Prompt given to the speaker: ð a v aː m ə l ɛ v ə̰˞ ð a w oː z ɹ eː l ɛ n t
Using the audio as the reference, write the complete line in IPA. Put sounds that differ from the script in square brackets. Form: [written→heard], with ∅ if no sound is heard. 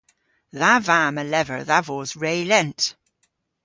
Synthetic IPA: ð a v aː m ə l ɛ v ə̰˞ ð a [w→v] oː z ɹ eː l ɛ n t